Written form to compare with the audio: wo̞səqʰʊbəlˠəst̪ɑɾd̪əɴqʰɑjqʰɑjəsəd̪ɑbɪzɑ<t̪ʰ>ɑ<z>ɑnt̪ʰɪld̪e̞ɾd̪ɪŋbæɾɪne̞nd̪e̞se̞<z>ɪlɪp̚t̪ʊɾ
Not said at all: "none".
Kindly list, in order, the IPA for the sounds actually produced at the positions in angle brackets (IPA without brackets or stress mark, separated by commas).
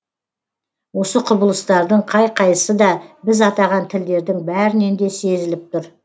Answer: t̪, ʁ, z